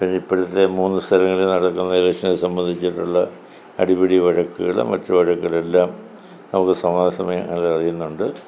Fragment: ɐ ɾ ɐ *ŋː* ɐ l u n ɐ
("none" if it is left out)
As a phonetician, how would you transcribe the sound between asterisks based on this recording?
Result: ŋː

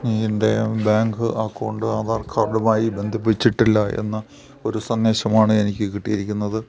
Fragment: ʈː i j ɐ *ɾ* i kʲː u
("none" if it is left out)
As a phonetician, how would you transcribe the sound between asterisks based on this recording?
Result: ɾ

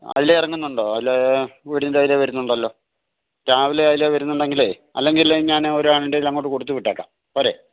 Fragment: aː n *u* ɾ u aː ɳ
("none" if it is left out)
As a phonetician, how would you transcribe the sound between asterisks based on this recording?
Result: o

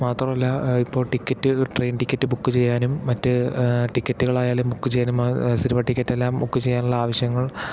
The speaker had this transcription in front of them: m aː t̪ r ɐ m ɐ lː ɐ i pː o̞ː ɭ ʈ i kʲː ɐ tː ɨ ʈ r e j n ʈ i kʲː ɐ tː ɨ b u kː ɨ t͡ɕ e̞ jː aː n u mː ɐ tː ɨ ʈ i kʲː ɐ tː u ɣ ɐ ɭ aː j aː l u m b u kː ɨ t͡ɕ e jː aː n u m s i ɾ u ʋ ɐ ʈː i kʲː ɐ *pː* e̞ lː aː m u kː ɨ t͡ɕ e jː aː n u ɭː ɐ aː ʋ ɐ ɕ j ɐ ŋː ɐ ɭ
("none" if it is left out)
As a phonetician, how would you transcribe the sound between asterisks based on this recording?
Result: tː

